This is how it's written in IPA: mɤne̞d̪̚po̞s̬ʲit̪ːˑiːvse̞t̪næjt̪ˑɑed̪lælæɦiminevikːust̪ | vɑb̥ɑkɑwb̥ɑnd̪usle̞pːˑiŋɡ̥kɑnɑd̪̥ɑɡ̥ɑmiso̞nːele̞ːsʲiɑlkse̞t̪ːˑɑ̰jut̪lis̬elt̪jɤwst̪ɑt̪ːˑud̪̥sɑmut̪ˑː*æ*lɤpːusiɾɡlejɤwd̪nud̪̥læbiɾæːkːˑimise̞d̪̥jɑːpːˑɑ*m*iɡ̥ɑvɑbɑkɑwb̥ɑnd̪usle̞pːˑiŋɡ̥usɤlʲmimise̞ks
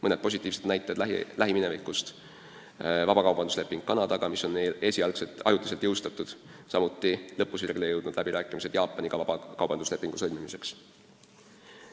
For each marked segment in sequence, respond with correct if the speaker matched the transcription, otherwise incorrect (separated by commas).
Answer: incorrect, incorrect